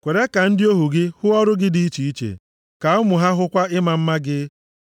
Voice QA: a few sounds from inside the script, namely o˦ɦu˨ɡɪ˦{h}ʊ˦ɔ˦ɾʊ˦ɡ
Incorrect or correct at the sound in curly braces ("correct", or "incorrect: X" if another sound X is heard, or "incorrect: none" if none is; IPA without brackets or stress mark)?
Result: correct